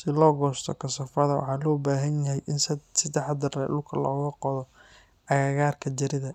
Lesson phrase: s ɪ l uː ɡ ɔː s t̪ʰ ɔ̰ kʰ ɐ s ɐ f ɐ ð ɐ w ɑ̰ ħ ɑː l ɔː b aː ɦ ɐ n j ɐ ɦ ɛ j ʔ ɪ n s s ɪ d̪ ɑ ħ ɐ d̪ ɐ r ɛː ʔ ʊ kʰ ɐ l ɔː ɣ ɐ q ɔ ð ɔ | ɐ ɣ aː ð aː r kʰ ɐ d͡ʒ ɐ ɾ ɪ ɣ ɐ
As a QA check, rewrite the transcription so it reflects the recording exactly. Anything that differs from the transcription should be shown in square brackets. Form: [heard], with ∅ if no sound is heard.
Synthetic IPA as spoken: s ɪ l [ɔː] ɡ ɔː s t̪ʰ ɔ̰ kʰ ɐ s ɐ f ɐ ð ɐ w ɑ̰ ħ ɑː l ɔː b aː ɦ ɐ n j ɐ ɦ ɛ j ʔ ɪ n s s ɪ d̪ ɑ ħ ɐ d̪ ɐ r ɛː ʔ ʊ kʰ ɐ l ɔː ɣ ɐ q ɔ ð ɔ | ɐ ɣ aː [ɣ] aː r kʰ ɐ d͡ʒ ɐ ɾ ɪ [ð] ɐ